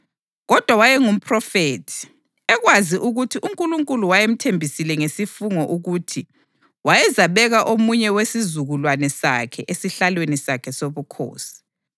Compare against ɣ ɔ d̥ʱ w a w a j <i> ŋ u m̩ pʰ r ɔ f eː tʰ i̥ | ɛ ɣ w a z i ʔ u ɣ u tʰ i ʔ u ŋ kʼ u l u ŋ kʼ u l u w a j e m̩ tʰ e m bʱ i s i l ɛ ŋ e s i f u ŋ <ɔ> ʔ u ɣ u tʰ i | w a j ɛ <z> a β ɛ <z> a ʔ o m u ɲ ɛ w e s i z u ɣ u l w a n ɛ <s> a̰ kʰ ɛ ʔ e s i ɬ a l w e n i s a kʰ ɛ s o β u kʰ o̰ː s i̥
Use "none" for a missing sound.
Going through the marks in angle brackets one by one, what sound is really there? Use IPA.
ɛ, ɔ, z, ɣ, s

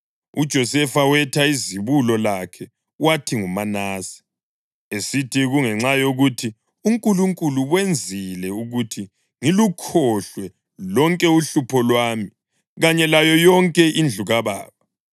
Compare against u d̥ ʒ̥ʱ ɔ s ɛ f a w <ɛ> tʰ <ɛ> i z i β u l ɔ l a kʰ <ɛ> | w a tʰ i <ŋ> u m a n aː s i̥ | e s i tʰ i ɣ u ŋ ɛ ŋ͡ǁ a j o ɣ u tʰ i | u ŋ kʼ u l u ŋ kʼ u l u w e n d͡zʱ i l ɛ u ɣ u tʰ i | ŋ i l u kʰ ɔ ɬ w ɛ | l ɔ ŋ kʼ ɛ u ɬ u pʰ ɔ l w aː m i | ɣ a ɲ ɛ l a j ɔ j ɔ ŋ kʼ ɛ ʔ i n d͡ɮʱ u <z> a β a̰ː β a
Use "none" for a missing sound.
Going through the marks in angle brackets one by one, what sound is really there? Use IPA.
ɛ, a, ɛ, ŋ, ɣ

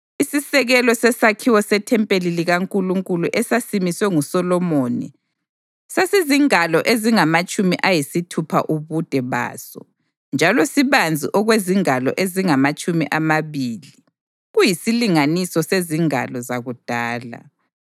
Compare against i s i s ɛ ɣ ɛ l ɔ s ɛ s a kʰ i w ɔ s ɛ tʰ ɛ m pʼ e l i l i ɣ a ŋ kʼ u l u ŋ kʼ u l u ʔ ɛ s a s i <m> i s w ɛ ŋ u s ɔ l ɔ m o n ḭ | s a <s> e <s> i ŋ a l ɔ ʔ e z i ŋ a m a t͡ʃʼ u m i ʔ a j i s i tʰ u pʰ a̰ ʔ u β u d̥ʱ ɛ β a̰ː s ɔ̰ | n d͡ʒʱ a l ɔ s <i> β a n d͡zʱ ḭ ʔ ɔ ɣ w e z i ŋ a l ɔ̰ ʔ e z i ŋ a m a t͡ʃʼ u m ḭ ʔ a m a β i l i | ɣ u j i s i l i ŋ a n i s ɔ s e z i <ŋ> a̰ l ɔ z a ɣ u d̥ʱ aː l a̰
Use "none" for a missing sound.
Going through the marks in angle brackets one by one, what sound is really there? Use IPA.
m, s, z, i, ŋ

